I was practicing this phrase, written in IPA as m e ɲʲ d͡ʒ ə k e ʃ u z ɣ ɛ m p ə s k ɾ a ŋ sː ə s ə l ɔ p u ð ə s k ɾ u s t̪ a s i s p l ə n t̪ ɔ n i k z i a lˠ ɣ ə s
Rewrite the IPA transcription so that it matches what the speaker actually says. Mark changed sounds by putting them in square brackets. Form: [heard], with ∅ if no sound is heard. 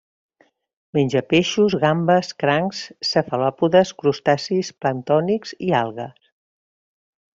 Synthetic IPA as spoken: m e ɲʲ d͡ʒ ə [p] e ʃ u z ɣ [a] m [b] ə s k ɾ a ŋ sː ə [f] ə l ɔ p u ð ə s k ɾ u s t̪ a s i s p l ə n t̪ ɔ n i k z i a lˠ ɣ ə s